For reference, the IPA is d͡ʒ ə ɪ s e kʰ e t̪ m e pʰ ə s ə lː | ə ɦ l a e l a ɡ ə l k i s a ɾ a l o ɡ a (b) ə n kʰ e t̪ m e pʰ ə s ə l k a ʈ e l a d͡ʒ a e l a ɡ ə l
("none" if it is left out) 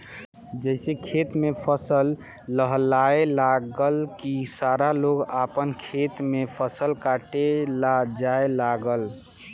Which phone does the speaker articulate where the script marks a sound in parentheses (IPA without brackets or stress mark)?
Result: p